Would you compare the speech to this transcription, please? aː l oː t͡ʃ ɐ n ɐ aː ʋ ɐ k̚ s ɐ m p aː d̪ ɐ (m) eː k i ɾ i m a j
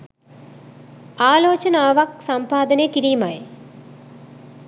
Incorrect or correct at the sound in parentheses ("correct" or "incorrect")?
incorrect